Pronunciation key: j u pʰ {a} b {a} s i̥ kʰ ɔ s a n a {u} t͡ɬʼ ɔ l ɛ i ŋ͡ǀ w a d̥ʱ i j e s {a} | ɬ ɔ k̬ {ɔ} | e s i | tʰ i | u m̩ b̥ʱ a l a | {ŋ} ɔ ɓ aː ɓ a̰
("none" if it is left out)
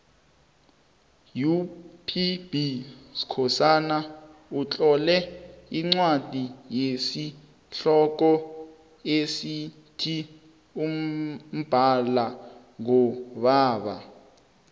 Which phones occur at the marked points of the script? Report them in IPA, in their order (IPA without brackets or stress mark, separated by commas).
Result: i, i, u, i, ɔ, ŋ